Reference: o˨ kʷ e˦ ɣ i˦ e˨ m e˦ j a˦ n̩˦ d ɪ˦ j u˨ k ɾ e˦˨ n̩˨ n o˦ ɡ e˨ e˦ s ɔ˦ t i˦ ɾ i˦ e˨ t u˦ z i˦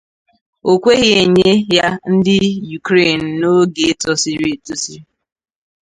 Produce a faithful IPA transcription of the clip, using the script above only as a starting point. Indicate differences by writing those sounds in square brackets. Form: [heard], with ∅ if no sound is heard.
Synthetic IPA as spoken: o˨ kʷ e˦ ɣ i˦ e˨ [ɲ] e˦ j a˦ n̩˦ d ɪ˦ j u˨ k ɾ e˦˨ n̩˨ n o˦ ɡ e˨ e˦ [t] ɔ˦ [s] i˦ ɾ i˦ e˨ t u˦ [s] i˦